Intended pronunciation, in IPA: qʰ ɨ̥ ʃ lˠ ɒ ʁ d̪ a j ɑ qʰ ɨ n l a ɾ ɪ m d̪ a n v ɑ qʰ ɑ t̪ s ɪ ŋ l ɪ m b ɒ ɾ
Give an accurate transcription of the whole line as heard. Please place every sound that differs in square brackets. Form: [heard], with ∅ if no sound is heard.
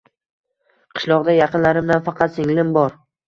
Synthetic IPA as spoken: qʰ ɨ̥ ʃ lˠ ɒ ʁ d̪ a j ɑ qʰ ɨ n l a ɾ ɪ m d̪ a n [f] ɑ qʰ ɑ t̪ s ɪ ŋ l ɪ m b ɒ ɾ